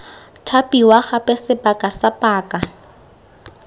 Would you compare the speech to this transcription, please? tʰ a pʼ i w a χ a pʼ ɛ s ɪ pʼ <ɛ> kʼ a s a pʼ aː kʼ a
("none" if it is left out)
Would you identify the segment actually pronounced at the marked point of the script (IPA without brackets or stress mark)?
a